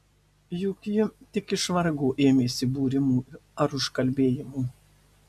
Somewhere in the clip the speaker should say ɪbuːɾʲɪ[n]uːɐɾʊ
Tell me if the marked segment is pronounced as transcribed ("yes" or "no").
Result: no